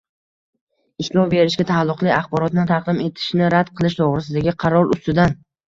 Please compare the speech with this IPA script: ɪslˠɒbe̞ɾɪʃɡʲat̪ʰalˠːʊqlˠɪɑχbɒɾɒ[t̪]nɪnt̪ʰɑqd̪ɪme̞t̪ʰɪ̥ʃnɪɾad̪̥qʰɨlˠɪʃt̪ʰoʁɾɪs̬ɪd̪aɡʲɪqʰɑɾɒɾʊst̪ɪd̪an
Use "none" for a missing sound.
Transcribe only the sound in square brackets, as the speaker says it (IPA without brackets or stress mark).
t̪